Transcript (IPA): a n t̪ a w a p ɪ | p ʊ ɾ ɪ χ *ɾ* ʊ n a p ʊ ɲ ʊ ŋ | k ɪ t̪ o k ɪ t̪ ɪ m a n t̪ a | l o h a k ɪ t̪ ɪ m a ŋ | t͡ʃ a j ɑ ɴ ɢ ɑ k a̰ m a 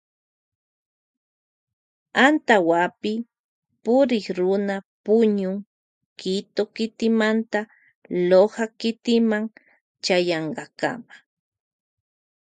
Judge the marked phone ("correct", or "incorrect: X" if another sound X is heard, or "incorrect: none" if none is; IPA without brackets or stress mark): correct